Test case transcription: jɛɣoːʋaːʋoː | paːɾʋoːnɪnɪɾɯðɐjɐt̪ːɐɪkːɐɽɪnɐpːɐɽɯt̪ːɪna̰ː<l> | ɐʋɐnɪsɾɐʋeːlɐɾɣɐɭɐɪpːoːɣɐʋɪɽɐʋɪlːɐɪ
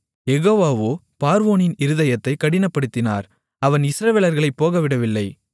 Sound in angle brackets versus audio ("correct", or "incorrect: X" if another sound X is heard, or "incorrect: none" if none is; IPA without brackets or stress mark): incorrect: ɾ